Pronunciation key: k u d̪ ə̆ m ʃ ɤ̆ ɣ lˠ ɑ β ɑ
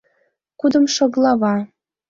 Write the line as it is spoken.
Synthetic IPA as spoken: k u d̪ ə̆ m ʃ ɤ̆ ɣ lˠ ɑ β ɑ